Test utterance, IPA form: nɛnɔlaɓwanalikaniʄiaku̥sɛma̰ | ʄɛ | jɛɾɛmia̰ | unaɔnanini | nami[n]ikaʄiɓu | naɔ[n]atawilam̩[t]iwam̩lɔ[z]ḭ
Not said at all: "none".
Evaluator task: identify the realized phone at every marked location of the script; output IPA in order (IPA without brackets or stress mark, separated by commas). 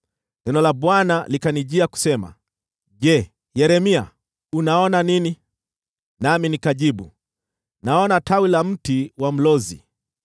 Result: n, n, t, z